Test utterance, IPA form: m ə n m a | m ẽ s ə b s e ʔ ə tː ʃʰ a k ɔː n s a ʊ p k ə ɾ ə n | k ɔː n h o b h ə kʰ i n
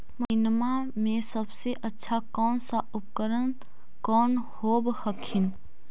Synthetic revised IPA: m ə n m a | m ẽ s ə b s e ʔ ə tː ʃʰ a k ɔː n s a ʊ p k ə ɾ ə n | k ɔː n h o b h ə kʰ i n

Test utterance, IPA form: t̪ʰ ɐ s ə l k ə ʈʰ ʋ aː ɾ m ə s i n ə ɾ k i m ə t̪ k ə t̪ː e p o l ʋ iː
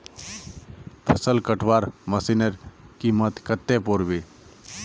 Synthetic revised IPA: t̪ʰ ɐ s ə l k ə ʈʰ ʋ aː ɾ m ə s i n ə ɾ k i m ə t̪ k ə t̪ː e p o ɾ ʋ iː

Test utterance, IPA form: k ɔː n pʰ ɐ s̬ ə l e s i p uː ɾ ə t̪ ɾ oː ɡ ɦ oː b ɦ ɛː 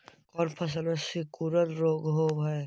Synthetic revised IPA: k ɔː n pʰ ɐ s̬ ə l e s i k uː ɾ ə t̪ ɾ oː ɡ ɦ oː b ɦ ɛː

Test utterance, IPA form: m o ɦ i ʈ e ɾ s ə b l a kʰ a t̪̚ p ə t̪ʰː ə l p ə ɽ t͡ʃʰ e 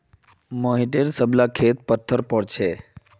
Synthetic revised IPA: m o ɦ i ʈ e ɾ s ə b l a kʰ e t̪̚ p ə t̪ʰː ə ɾ p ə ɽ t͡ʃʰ e

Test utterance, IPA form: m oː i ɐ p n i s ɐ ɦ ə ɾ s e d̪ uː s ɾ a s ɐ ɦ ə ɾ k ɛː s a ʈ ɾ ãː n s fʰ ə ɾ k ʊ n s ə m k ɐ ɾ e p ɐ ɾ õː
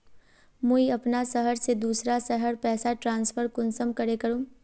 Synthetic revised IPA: m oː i ɐ p n a s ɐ ɦ ə ɾ s e d̪ uː s ɾ a s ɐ ɦ ə ɾ p ɛː s a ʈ ɾ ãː n s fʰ ə ɾ k ʊ n s ə m k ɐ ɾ e k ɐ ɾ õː

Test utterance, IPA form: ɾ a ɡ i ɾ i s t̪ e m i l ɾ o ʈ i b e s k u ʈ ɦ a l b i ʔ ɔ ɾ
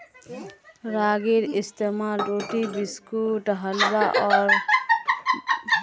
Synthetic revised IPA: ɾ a ɡ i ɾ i s t̪ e m a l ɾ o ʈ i b i s k u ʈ ɦ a l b a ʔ ɔ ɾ

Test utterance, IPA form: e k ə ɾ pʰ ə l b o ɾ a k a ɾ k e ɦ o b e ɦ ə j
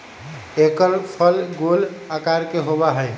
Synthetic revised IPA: e k ə ɾ pʰ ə l ɡ o l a k a ɾ k e ɦ o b a ɦ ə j

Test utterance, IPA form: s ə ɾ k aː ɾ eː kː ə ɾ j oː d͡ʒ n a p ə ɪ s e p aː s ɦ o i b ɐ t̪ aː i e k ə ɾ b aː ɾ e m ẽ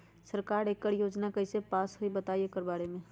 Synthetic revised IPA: s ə ɾ k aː ɾ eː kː ə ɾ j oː d͡ʒ n a k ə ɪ s e p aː s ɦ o i b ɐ t̪ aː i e k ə ɾ b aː ɾ e m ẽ

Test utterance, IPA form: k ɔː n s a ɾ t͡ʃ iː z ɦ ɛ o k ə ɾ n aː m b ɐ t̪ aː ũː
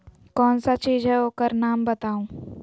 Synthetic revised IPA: k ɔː n s a t͡ʃ iː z ɦ ɛ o k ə ɾ n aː m b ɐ t̪ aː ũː

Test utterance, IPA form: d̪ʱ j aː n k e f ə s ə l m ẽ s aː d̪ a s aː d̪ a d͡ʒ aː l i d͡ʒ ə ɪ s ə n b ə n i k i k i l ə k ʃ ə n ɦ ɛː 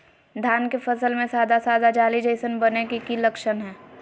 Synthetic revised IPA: d̪ʱ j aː n k e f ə s ə l m ẽ s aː d̪ a s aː d̪ a d͡ʒ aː l i d͡ʒ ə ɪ s ə n b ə n e k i k i l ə k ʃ ə n ɦ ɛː

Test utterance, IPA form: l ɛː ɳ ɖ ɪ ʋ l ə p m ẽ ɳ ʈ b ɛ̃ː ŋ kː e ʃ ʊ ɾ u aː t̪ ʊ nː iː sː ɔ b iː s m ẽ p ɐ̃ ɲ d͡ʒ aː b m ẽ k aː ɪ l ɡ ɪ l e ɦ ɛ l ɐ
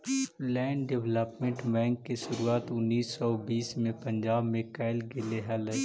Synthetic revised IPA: l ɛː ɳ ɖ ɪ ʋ l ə p m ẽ ɳ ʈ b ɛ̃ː ŋ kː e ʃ ʊ ɾ u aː t̪ ʊ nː iː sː ɔ b iː s m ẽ p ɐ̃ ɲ d͡ʒ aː b m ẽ k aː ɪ l ɡ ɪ l e ɦ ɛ l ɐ

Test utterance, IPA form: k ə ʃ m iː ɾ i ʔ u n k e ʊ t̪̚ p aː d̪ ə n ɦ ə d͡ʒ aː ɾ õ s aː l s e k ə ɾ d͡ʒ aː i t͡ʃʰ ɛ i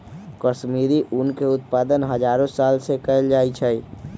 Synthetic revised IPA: k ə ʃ m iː ɾ i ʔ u n k e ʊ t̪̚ p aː d̪ ə n ɦ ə d͡ʒ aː ɾ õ s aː l s e k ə l d͡ʒ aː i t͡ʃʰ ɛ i

